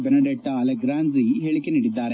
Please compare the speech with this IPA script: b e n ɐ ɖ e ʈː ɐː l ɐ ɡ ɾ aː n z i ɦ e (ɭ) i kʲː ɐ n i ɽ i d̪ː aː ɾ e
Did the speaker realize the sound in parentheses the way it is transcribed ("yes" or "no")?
yes